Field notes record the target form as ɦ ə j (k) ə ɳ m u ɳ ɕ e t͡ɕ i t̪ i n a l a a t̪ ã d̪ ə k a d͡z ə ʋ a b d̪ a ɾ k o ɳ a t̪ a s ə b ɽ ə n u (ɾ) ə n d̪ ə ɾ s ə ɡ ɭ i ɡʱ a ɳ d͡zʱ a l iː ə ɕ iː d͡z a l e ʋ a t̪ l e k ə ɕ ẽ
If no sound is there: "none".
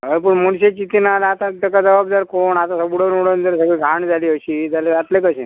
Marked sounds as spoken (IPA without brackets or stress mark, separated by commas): p, ɽ